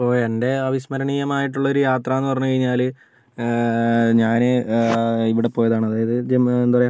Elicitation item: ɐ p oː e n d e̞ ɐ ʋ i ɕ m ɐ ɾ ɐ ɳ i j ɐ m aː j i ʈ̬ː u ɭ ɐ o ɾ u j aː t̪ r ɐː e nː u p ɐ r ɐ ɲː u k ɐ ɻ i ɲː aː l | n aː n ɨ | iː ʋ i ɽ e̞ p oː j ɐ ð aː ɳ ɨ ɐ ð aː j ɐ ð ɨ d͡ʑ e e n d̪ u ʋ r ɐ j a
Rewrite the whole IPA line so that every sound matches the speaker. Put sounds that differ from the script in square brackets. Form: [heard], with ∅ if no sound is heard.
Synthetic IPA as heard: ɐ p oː e n d e̞ ɐ ʋ i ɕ m ɐ ɾ ɐ ɳ i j ɐ m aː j i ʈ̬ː u [ɭː] ɐ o ɾ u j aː t̪ r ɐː e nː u p ɐ r ɐ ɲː u k ɐ ɻ i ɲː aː l | [ɲ] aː n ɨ | [i] ʋ i ɽ e̞ p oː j ɐ ð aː ɳ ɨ ɐ ð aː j ɐ ð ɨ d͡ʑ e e n d̪ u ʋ r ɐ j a